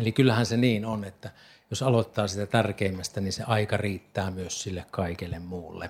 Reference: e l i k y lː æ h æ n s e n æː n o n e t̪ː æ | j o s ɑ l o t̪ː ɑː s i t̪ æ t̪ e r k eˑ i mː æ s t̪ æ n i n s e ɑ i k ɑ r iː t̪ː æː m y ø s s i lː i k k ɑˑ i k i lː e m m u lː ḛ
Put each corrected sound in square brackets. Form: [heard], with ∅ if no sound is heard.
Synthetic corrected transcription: e l i k y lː æ h æ n s e n [iː] n o n e t̪ː æ | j o s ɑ l o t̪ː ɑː s i t̪ æ t̪ [æ] r k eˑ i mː æ s t̪ æ n i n s e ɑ i k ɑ r iː t̪ː æː m y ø s s i lː [e] k k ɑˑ i k [e] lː e m m [uː] lː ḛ